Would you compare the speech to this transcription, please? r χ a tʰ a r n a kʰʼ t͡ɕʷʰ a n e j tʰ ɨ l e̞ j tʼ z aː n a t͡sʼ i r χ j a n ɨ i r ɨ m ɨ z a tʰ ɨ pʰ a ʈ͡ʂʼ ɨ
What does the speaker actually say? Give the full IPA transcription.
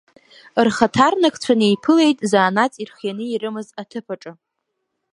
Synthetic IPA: r χ a tʰ a r n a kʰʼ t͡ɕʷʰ a n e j pʰ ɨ l e̞ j tʼ z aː n a t͡sʼ i r χ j a n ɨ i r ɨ m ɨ z a tʰ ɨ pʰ a ʈ͡ʂʼ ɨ